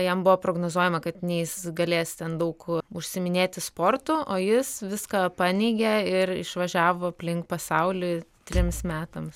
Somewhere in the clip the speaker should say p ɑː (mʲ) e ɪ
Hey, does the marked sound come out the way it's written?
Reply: no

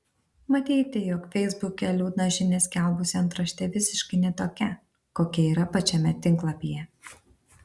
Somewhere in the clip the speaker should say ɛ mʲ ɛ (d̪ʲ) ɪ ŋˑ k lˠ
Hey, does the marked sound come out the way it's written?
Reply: no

